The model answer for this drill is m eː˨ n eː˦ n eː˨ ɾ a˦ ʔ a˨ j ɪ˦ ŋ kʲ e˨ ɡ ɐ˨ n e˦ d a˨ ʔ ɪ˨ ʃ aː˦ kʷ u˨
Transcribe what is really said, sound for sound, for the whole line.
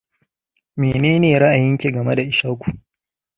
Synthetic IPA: m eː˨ n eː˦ n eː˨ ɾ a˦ ʔ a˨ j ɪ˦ ŋ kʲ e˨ ɡ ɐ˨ m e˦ d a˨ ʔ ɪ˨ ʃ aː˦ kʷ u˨

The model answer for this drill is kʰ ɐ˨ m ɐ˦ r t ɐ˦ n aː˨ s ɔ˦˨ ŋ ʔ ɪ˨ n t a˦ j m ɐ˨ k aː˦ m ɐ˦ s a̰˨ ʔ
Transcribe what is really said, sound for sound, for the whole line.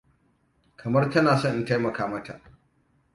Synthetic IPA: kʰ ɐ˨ m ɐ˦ r t ɐ˦ n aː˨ s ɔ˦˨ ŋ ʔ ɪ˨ n t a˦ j m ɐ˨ k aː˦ m ɐ˦ t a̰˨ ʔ

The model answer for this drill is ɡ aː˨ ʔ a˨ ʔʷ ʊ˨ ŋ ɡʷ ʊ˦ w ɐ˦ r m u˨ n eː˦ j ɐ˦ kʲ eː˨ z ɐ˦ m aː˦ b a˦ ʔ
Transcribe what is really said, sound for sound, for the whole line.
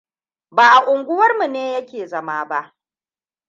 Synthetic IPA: b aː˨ ʔ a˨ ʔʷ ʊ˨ ŋ ɡʷ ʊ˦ w ɐ˦ r m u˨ n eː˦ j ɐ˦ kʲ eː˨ z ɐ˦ m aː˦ b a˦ ʔ

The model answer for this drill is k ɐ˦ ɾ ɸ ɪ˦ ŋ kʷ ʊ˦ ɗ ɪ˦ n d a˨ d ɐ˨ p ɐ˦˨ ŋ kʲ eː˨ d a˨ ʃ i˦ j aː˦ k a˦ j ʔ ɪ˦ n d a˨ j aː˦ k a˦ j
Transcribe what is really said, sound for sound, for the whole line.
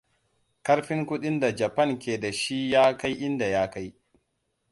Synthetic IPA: k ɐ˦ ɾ ɸ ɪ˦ ŋ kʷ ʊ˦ ɗ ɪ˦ n d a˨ d͡ʒ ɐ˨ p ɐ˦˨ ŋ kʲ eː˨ d a˨ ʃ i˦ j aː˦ k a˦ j ʔ ɪ˦ n d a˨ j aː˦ k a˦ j

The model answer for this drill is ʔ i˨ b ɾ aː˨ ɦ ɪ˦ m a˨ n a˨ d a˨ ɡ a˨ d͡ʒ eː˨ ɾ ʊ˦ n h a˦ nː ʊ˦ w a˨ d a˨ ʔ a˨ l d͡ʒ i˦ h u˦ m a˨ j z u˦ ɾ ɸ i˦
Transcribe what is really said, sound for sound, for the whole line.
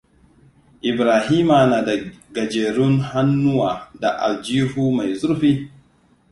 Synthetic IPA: ʔ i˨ b ɾ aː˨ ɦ i˦ m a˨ n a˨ d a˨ ɡ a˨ d͡ʒ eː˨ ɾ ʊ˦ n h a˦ nː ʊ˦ w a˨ d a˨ ʔ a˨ l d͡ʒ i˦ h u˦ m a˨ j z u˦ ɾ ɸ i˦

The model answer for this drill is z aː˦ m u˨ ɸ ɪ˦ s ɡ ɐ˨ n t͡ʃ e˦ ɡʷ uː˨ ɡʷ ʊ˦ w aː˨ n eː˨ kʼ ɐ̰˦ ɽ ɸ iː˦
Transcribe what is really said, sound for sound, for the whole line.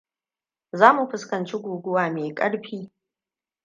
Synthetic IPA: z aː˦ m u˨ ɸ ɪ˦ s k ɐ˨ n t͡ʃ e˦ ɡʷ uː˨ ɡʷ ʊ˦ w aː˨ m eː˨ kʼ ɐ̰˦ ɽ ɸ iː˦

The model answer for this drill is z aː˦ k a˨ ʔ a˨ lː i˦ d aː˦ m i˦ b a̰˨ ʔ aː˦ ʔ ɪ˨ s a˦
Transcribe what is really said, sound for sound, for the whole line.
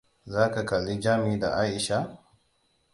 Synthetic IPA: z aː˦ k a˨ k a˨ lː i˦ d͡ʒ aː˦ m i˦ d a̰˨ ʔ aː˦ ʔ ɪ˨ ʃ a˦

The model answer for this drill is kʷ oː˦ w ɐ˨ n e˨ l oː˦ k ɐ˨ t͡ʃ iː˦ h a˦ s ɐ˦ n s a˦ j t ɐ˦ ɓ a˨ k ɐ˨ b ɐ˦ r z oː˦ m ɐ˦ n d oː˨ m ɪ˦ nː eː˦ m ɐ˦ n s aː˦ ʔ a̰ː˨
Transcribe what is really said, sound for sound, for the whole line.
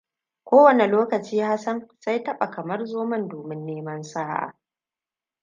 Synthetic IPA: kʷ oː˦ w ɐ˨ n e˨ l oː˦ k ɐ˨ t͡ʃ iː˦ h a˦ s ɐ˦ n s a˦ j t ɐ˦ ɓ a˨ k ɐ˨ m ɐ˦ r z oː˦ m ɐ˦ n d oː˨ m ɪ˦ nː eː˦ m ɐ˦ n s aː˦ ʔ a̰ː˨

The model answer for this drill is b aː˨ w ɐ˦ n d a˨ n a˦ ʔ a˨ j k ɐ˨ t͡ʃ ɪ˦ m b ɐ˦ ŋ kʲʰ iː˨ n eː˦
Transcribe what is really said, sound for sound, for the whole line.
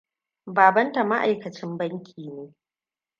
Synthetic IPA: b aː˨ b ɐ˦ n t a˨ m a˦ ʔ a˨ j k ɐ˨ t͡ʃ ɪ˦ m b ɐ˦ ŋ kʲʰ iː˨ n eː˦

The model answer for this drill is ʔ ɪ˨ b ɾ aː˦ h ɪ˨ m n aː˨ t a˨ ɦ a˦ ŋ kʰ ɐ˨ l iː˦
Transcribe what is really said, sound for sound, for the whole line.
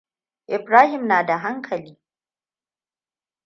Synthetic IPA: ʔ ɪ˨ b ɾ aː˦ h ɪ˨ m n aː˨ d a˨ ɦ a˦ ŋ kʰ ɐ˨ l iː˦

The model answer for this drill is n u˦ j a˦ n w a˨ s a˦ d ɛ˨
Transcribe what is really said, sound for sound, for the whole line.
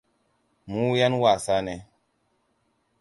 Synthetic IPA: m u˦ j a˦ n w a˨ s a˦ n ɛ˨

